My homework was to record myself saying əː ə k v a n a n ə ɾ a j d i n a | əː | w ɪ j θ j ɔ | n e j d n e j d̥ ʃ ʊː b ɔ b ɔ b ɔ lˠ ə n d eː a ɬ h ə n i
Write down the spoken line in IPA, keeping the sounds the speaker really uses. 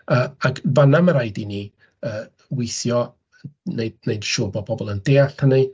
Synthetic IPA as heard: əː a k v a n a m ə ɾ a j d i n i | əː | w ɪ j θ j ɔ | n e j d n e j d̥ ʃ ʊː b ɔ b ɔ b ɔ lˠ ə n d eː a ɬ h ə n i